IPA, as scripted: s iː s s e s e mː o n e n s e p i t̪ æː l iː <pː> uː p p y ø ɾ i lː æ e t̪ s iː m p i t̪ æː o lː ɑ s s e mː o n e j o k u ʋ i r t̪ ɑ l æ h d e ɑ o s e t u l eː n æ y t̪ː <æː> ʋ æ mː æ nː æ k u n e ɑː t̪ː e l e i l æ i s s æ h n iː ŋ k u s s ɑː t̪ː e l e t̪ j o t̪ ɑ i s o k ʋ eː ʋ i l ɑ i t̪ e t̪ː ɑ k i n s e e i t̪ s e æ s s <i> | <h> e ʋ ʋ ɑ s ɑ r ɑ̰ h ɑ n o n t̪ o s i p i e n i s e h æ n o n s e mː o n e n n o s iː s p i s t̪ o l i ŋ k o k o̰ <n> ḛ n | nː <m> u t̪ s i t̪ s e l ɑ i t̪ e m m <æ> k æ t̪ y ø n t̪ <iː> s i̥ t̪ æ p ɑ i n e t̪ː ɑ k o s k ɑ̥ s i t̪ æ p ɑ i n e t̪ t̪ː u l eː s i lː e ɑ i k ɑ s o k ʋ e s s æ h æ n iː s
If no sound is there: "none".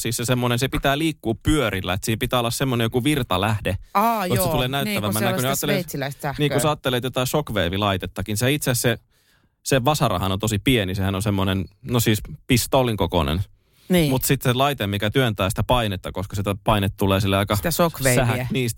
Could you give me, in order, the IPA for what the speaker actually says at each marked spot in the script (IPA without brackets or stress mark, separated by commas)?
kː, æ, e, s, n, m, i, æː